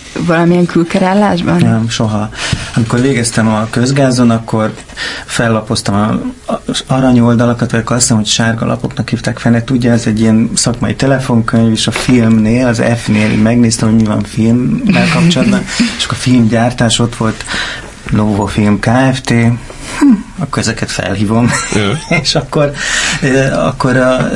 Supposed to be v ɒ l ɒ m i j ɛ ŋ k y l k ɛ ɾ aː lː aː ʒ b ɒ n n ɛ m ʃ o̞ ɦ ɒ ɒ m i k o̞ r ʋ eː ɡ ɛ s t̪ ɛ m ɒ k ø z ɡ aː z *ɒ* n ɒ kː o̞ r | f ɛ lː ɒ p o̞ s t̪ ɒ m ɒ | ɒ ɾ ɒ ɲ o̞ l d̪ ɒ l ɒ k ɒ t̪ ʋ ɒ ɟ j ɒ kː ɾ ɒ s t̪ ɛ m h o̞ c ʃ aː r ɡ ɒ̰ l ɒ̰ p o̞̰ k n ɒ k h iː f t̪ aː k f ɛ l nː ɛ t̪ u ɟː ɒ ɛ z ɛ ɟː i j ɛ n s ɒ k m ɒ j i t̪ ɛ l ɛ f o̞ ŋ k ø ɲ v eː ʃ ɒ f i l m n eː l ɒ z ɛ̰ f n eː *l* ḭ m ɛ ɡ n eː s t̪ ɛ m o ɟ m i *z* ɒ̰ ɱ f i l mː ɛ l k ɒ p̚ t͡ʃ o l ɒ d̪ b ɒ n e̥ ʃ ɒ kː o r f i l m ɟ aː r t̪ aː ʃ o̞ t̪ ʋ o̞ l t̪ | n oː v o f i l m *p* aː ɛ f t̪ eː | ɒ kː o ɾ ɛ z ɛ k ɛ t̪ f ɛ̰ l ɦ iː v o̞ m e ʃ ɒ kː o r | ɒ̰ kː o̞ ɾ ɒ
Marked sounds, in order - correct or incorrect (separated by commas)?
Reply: incorrect, correct, incorrect, incorrect